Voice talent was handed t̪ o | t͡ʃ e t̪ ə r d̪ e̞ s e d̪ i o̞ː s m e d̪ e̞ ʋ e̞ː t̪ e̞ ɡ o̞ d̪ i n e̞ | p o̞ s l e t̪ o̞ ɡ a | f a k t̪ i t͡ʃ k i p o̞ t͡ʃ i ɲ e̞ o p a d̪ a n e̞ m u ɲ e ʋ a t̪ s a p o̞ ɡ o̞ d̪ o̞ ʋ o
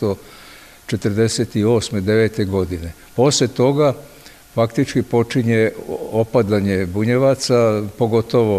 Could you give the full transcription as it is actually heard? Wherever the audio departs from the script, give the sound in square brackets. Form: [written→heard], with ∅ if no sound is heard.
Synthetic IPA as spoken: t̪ o | t͡ʃ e t̪ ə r d̪ e̞ s e [d̪→t̪] i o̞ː s m e d̪ e̞ ʋ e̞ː t̪ e̞ ɡ o̞ d̪ i n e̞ | p o̞ s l e t̪ o̞ ɡ a | f a k t̪ i t͡ʃ k i p o̞ t͡ʃ i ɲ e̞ o p a d̪ a [n→ɲ] e̞ [m→b] u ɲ e ʋ a t̪ s a p o̞ ɡ o̞ [d̪→t̪] o̞ ʋ o